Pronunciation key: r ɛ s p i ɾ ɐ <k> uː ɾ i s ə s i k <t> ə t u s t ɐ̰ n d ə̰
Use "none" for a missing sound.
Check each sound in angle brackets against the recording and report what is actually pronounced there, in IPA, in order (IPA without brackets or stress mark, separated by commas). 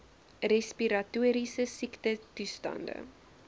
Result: t, t